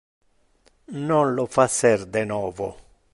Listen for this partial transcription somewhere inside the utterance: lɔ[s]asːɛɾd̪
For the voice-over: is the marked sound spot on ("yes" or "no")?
no